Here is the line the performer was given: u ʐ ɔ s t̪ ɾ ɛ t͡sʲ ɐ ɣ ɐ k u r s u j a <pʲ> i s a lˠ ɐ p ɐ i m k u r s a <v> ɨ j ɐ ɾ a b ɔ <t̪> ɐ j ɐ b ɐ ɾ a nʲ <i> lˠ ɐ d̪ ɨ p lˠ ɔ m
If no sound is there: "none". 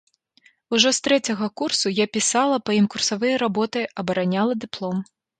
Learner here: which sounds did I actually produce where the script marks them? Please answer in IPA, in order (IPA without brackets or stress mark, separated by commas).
pʲ, v, t̪, a